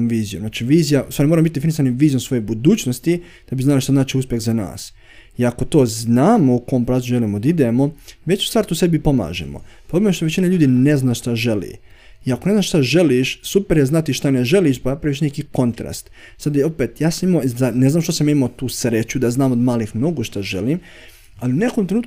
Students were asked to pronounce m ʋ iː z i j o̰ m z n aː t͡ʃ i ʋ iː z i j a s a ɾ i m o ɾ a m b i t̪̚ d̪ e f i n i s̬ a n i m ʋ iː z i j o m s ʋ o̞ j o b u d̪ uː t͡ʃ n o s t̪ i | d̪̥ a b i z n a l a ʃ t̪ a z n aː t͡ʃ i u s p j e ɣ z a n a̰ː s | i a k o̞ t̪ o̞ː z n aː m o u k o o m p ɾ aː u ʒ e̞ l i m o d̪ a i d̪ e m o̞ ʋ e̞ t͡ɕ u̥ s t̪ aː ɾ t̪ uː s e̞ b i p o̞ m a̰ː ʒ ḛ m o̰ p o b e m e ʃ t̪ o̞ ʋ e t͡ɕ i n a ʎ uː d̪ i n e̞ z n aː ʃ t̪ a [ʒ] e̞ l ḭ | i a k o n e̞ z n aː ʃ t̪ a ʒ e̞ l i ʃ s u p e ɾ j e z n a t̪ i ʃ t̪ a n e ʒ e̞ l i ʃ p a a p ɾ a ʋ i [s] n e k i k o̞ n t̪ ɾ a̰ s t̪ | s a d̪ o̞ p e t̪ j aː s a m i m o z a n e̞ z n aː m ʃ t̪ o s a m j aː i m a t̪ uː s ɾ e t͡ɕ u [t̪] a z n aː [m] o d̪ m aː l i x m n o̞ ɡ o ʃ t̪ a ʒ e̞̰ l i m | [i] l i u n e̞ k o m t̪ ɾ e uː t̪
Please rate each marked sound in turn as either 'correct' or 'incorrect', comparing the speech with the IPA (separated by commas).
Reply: correct, incorrect, incorrect, correct, incorrect